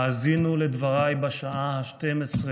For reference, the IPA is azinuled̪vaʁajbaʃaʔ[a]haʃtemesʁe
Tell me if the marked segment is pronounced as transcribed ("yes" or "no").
yes